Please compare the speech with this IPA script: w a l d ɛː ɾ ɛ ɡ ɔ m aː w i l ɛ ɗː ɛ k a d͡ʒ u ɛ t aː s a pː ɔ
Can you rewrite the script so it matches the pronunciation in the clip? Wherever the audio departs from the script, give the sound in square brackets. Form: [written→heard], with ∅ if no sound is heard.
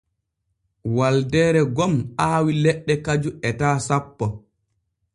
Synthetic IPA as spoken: w a l d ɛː ɾ ɛ ɡ ɔ m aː w i l ɛ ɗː ɛ k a d͡ʒ u ɛ t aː s a pː ɔ